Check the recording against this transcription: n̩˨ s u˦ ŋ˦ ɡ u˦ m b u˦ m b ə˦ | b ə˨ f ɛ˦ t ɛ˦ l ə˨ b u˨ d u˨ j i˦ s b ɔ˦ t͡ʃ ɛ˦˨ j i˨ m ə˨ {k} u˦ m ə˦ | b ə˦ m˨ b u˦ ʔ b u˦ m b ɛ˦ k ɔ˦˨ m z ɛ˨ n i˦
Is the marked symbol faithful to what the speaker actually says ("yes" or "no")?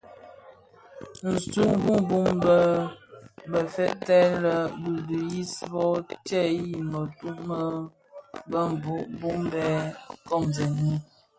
no